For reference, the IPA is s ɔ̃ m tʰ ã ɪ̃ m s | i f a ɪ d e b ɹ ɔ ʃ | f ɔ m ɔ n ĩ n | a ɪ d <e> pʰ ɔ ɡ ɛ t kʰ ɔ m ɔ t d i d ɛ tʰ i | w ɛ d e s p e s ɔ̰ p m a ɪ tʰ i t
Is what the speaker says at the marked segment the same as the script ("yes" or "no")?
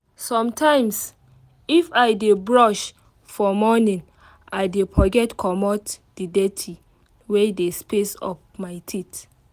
yes